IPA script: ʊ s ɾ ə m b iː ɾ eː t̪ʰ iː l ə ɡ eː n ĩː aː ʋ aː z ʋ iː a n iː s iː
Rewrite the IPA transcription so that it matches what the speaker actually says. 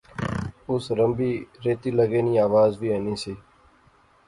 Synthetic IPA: ʊ s ɾ ə m b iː ɾ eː t̪ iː l ə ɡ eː n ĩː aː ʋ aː z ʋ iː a n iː s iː